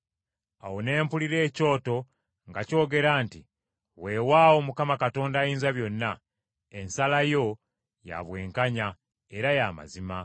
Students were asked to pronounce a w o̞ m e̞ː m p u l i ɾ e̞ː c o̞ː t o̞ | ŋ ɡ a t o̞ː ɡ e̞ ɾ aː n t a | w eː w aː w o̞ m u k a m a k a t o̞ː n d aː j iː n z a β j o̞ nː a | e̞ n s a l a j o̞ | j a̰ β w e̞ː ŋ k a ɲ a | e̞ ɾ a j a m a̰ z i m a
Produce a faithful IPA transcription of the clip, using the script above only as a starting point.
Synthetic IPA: a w o̞ n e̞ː m p u l i ɾ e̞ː c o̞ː t o̞ | ŋ ɡ a c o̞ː ɡ e̞ ɾ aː n t i | w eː w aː w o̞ m u k a m a k a t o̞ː n d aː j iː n z a β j o̞ nː a | e̞ n s a l a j o̞ | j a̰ β w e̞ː ŋ k a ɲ a | e̞ ɾ a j a m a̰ z i m a